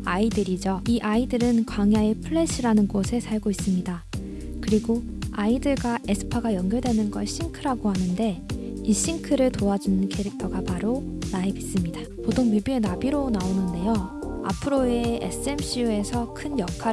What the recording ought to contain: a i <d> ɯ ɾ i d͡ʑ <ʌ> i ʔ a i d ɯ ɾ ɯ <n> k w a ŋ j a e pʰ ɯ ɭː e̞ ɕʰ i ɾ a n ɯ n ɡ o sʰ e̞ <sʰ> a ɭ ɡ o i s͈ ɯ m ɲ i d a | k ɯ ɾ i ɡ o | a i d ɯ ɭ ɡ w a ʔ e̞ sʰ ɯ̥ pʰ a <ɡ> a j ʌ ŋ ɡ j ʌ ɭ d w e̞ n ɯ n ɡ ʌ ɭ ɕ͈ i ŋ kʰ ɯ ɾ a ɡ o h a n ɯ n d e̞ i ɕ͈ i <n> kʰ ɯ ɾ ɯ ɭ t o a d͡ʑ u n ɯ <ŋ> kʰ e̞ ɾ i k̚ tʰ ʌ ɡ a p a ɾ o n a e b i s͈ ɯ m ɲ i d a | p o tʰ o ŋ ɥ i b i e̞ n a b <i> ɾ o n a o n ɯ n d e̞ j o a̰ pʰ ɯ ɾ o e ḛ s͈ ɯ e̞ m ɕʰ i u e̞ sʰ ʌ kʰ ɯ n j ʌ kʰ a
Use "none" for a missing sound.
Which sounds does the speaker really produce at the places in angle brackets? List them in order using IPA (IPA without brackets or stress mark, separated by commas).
d, ʌ, n, sʰ, ɡ, ŋ, n, i